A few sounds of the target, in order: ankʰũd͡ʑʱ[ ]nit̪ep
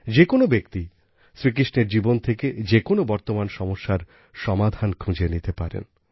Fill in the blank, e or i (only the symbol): e